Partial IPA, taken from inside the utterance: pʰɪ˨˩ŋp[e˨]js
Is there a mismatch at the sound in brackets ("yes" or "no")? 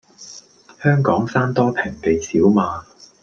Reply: no